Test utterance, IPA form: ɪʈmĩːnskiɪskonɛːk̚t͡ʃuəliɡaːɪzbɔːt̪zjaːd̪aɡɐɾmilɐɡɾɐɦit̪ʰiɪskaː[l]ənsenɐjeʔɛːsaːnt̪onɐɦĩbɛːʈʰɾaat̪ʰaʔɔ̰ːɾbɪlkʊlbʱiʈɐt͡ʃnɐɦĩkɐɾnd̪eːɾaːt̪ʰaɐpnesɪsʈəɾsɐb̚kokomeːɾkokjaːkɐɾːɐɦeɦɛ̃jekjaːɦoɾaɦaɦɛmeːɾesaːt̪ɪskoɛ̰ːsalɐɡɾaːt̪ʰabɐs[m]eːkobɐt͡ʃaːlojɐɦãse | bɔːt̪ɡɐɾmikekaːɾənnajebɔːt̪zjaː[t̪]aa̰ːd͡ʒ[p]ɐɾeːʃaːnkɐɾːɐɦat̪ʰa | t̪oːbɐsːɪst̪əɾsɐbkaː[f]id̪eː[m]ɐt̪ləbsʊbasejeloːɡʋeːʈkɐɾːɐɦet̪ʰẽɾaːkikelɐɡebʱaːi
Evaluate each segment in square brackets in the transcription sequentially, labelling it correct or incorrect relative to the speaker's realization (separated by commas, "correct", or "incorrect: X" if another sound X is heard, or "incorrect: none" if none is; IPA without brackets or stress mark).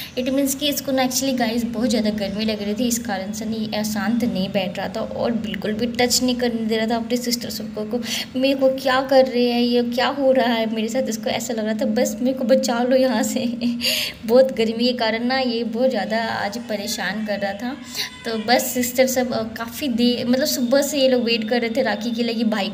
incorrect: ɾ, correct, incorrect: d̪, correct, correct, correct